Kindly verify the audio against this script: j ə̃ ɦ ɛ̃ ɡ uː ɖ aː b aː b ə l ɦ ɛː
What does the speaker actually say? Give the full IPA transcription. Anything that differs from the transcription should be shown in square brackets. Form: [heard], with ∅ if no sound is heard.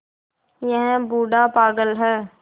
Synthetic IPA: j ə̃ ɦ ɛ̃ [b] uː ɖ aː [p] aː [ɡ] ə l ɦ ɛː